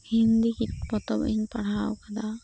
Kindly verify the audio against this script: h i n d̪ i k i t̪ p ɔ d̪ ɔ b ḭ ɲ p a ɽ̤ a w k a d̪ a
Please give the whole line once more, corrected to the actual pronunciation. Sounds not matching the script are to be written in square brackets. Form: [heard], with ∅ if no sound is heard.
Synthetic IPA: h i n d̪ i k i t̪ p ɔ [t̪] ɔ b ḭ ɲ p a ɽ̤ a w k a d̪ a